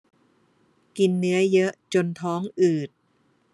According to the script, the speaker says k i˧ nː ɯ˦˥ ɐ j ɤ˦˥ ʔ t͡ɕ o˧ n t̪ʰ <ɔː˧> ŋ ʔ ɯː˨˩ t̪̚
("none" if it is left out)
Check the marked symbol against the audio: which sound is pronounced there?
ɔː˦˥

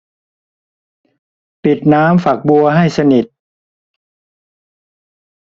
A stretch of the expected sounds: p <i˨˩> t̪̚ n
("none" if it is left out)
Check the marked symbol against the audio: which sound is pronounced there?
i˨˩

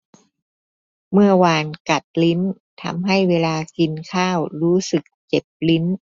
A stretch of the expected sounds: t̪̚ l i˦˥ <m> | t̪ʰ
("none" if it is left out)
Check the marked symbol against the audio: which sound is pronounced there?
n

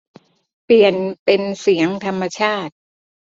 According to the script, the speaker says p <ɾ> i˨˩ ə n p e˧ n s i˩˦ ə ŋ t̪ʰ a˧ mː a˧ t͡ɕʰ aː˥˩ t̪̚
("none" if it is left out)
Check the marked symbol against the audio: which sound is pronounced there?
l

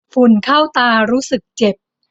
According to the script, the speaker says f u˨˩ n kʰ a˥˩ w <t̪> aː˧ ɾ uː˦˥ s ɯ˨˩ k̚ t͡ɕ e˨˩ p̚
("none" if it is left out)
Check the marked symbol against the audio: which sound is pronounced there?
t̪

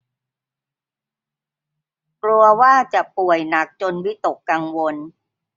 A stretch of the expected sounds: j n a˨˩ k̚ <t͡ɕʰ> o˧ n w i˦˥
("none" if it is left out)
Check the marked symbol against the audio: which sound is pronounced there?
t͡ɕ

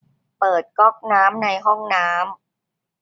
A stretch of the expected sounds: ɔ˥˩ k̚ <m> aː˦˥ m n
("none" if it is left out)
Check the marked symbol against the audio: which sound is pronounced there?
n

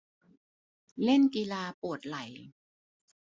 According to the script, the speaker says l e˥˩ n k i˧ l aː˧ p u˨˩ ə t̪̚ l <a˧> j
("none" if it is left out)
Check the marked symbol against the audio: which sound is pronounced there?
a˩˦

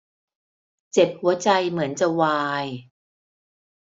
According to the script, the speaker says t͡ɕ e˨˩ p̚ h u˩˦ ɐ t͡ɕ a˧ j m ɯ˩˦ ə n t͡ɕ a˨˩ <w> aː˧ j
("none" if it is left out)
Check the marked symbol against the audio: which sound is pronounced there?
w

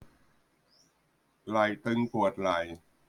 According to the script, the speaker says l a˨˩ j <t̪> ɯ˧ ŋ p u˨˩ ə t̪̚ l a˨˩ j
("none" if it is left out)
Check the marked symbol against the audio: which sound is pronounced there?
t̪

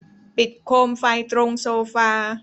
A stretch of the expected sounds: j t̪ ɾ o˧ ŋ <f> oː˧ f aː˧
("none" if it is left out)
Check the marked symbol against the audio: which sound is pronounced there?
s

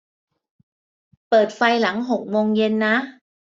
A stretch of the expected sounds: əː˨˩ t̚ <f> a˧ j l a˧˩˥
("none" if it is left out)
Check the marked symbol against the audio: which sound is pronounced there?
f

